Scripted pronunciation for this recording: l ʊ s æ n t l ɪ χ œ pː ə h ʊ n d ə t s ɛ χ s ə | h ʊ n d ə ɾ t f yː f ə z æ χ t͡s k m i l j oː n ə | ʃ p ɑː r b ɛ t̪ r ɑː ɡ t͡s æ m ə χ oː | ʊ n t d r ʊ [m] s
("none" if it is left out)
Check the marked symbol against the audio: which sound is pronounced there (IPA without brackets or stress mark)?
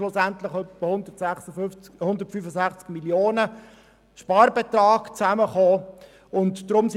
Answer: m